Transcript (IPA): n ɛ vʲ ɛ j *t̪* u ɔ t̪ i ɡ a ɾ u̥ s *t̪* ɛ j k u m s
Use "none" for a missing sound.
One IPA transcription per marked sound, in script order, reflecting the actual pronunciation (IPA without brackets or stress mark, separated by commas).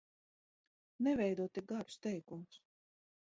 d̪, t̪